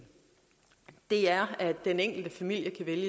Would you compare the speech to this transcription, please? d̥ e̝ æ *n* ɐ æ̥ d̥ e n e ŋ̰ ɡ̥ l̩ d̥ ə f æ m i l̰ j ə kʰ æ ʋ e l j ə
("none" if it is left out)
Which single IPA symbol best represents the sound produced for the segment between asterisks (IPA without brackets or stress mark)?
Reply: none